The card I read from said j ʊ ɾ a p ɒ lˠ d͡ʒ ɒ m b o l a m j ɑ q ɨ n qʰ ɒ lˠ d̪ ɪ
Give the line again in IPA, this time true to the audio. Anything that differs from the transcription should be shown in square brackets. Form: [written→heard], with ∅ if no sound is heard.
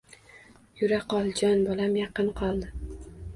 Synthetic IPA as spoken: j ʊ ɾ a [p→q] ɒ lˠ d͡ʒ ɒ [m→n] b [o→ɒ] l a m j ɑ q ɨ n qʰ ɒ lˠ d̪ ɪ